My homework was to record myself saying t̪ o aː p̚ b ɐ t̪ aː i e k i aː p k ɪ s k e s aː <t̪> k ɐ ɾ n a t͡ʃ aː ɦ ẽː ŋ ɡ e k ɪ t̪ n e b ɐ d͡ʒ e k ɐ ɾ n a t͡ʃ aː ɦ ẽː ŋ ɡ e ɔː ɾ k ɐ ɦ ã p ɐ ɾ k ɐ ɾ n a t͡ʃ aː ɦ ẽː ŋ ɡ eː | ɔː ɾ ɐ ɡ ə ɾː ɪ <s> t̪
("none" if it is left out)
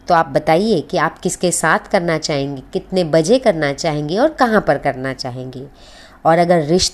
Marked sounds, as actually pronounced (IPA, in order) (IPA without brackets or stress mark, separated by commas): t̪ʰ, ʃ